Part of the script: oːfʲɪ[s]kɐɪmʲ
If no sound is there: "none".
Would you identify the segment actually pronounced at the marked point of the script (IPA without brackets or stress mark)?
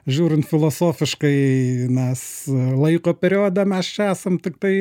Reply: ʃ